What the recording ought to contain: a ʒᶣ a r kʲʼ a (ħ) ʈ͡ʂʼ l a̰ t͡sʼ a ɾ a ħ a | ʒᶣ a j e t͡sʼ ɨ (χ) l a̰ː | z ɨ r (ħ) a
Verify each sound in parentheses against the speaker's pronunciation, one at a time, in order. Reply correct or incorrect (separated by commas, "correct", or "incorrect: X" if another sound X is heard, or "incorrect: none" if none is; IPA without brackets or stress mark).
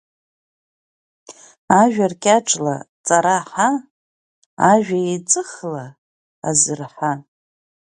incorrect: none, correct, correct